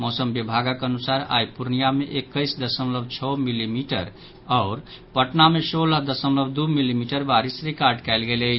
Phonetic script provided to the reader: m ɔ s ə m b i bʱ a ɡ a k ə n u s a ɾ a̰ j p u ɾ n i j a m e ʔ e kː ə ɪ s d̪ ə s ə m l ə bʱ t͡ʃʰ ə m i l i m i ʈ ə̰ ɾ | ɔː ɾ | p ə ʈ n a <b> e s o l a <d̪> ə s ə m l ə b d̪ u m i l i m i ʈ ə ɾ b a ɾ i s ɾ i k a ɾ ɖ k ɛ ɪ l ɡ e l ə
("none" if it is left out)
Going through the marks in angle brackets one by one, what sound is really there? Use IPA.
m, d̪

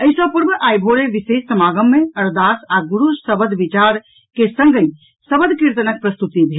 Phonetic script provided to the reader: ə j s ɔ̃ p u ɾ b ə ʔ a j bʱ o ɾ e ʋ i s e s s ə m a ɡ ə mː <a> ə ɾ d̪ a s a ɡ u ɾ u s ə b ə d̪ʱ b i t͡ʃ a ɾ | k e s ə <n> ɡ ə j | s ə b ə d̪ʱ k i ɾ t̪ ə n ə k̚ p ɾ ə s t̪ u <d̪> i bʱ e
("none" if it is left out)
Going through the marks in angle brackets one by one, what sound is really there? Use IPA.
e, ŋ, t̪

